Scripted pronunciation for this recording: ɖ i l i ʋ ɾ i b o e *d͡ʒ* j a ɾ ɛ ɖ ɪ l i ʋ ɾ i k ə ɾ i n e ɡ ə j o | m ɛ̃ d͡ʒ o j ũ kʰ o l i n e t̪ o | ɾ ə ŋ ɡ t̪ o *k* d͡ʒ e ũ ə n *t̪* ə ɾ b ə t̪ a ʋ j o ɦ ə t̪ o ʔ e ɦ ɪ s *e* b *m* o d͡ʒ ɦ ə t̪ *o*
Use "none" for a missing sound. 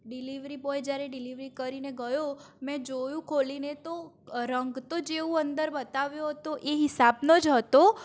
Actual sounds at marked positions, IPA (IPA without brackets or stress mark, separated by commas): d͡ʒ, none, d̪, a, n, o